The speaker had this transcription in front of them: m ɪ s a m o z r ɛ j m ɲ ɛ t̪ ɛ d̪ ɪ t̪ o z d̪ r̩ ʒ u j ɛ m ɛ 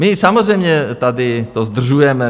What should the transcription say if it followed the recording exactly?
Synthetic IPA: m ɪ s a m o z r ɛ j m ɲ ɛ t̪ a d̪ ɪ t̪ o z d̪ r̩ ʒ u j ɛ m ɛ